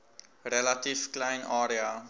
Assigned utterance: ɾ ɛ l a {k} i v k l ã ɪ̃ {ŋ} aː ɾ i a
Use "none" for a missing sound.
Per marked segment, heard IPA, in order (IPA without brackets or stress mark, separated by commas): t, n